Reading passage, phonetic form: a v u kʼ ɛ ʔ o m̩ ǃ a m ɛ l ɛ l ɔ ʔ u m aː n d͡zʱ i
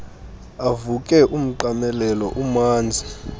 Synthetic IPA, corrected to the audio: a v u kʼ ɛ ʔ u m̩ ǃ a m ɛ l ɛ l ɔ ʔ u m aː n d͡zʱ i